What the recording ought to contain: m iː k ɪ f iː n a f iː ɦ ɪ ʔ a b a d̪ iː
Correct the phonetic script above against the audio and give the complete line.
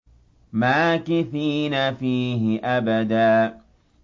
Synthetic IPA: m aː k ɪ θ iː n a f iː ɦ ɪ ʔ a b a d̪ aː